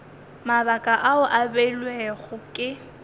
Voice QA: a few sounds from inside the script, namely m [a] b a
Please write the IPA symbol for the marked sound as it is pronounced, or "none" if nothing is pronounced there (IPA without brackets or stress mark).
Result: a